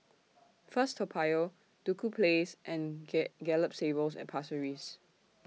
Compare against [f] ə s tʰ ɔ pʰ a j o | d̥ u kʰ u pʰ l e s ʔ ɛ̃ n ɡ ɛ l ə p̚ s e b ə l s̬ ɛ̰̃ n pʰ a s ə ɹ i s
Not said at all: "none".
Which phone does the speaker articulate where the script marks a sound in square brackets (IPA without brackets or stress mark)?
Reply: f